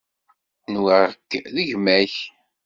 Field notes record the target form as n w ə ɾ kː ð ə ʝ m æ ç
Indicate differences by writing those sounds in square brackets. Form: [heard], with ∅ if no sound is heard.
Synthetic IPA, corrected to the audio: n w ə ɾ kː ð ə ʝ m æ ç